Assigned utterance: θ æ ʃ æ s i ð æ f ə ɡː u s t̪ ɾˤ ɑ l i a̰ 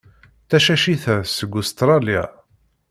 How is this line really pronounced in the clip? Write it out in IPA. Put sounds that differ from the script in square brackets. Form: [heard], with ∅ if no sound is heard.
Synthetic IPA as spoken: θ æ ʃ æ [ʃ] i [θ] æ [s] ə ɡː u s t̪ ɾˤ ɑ l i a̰